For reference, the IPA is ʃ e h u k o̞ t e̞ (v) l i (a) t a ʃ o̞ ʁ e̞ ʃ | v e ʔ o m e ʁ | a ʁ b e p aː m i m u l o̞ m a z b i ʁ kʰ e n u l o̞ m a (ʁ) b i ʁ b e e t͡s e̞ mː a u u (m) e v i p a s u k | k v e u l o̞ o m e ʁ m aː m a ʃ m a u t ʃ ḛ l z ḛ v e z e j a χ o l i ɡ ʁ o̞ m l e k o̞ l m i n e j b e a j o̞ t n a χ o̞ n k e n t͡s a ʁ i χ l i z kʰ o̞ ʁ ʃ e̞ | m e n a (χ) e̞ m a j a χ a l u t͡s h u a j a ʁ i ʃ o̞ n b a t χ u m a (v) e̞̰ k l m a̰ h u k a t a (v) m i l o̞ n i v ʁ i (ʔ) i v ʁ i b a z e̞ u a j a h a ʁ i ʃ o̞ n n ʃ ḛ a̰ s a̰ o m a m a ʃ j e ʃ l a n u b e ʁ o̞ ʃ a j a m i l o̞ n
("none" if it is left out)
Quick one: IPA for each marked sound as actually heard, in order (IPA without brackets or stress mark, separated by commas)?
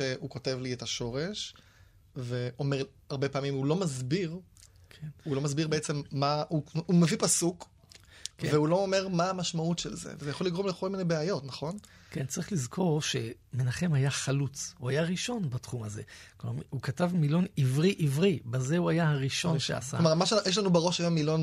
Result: v, e, z, m, χ, z, v, ʔ